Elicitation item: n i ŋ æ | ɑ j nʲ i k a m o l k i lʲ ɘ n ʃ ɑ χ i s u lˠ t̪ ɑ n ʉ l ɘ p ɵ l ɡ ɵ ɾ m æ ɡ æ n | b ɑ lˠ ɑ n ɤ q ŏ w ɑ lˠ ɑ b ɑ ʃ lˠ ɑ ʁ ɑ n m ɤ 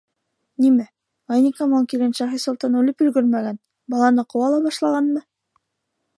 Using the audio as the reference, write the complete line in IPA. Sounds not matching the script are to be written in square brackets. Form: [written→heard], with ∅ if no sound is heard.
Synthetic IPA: n i [ŋ→m] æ | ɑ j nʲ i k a m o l k i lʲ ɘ n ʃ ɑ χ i s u lˠ t̪ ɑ n ʉ l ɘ p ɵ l ɡ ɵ ɾ m æ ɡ æ n | b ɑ lˠ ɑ n ɤ q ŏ w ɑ lˠ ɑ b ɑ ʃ lˠ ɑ ʁ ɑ n m ɤ